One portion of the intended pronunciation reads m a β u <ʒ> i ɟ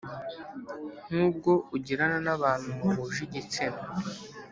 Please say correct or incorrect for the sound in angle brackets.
correct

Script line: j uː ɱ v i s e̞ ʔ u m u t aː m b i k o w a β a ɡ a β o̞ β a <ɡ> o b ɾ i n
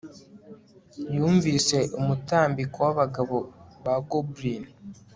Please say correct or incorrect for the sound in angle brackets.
correct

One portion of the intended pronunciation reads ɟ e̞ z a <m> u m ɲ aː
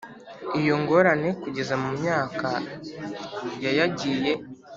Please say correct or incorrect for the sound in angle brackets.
correct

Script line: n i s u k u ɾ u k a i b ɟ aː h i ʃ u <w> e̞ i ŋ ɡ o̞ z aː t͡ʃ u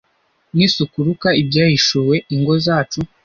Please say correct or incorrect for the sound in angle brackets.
correct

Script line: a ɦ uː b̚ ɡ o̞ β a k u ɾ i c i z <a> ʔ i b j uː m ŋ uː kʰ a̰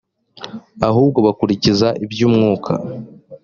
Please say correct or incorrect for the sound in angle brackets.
correct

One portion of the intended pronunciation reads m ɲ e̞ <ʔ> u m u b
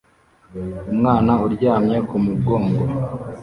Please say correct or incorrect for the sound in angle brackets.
incorrect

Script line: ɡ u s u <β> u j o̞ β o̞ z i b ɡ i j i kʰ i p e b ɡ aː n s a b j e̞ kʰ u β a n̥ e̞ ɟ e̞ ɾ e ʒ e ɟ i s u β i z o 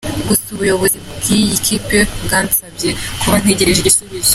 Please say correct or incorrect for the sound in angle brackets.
correct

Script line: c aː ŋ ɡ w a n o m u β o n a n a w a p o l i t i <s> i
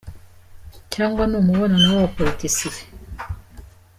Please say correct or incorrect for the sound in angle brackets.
correct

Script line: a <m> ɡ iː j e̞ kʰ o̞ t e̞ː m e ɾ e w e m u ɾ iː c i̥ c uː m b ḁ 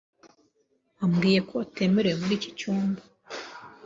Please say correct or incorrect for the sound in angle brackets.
correct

